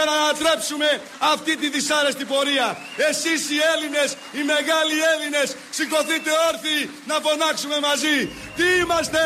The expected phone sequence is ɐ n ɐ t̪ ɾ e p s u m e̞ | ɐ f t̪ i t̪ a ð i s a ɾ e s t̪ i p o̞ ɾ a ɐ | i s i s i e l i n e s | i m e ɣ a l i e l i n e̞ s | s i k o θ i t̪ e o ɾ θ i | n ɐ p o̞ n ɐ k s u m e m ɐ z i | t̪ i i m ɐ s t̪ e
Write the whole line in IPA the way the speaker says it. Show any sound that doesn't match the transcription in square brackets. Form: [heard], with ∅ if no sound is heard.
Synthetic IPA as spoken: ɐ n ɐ t̪ ɾ e p s u m e̞ | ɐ f t̪ i t̪ [i] ð i s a ɾ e s t̪ i p o̞ ɾ [i] ɐ | [e] s i s i e l i n e s | i m e ɣ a l i e l i n e̞ s | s i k o θ i t̪ e o ɾ θ i | n ɐ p o̞ n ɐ k s u m e m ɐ z i | t̪ i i m ɐ s t̪ e